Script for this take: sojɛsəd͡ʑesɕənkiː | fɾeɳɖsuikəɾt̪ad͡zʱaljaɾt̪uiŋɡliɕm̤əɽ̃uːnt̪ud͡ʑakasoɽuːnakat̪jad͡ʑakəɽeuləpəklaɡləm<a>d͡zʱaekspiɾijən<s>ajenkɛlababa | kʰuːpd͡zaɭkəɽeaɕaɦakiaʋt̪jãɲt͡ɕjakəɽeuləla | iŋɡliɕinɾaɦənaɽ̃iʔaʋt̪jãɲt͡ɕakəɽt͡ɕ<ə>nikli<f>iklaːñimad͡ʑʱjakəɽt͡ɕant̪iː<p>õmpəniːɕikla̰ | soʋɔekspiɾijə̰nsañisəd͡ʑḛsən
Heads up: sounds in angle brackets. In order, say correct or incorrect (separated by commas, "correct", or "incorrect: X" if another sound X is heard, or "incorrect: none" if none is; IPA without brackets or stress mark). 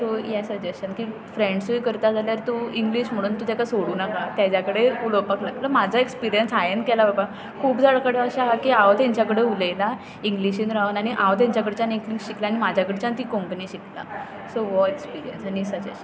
correct, correct, incorrect: a, incorrect: ɕ, incorrect: k